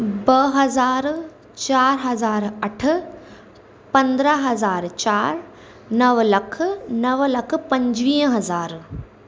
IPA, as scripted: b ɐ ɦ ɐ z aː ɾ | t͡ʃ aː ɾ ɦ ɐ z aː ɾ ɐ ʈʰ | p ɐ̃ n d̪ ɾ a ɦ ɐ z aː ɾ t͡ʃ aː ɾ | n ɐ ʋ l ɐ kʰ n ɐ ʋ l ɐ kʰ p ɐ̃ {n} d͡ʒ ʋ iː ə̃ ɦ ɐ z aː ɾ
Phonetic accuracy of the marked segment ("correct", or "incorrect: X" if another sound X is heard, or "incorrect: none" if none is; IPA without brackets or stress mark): incorrect: ɲ